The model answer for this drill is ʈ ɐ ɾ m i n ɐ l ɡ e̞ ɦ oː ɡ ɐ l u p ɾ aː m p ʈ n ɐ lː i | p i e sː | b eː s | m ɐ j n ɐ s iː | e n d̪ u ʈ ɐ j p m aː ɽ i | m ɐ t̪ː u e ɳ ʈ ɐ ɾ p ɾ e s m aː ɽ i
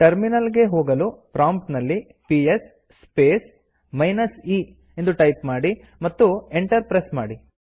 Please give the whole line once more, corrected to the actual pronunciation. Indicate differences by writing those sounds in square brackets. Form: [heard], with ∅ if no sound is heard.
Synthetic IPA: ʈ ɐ ɾ m i n ɐ l ɡ e̞ ɦ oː ɡ ɐ l u p ɾ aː m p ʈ n ɐ lː i | p i e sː | [p] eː s | m ɐ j n ɐ s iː | e n d̪ u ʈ ɐ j p m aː ɽ i | m ɐ t̪ː u e ɳ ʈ ɐ ɾ p ɾ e s m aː ɽ i